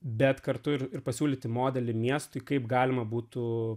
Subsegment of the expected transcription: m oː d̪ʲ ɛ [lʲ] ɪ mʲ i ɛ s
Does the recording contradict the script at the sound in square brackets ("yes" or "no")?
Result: no